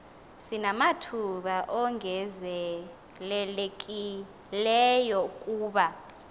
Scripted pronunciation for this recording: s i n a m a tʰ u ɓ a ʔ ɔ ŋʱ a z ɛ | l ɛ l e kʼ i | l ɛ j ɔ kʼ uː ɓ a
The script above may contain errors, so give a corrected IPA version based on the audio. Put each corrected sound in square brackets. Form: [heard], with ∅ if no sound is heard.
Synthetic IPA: s i n a m a tʰ u ɓ a ʔ ɔ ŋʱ [ɛ] z ɛ | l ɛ l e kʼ i | l ɛ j ɔ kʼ uː ɓ a